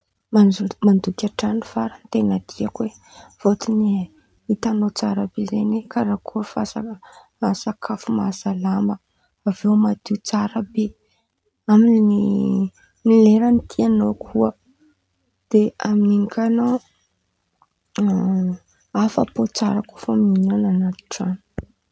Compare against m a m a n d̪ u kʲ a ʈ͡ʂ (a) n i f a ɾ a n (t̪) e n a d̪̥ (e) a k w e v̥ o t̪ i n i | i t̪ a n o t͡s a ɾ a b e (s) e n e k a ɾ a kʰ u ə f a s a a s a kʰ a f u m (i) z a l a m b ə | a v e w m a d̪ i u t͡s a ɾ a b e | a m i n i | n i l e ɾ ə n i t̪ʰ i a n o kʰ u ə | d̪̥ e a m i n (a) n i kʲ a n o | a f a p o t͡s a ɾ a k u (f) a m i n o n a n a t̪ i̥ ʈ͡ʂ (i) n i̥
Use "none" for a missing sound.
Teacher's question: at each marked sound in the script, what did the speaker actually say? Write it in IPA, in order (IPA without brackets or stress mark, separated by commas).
a, t̪, i, z, a, i, f, a